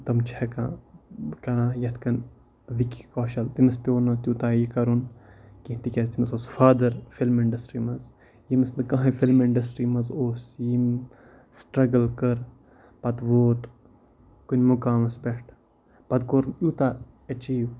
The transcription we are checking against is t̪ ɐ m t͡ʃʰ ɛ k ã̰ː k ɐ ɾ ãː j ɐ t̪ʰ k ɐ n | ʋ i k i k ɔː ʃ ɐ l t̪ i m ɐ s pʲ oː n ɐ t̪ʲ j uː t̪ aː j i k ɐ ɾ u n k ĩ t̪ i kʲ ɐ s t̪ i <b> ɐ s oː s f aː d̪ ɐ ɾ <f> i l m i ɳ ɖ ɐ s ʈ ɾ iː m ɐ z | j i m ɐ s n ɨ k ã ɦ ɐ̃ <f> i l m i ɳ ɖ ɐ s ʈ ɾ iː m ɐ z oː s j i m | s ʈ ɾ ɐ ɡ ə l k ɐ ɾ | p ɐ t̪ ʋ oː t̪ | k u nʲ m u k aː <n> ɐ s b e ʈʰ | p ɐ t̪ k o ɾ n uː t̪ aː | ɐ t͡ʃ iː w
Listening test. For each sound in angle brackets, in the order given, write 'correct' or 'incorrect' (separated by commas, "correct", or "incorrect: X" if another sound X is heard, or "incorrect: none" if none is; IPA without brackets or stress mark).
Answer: incorrect: m, correct, correct, incorrect: m